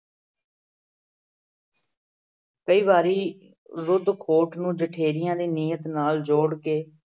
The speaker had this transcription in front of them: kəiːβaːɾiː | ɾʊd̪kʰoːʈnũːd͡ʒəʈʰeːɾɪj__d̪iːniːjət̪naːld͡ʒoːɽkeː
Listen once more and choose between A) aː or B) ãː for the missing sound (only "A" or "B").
B